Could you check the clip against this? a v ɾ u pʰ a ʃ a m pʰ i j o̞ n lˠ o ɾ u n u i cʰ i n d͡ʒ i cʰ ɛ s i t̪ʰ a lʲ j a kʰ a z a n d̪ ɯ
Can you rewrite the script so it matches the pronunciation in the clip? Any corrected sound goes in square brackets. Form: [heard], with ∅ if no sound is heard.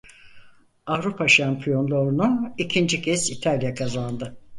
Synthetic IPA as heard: a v ɾ u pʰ a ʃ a m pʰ i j o̞ n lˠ o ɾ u n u i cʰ i n d͡ʒ i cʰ ɛ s i t̪ʰ a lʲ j a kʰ a z a n d̪ ɯ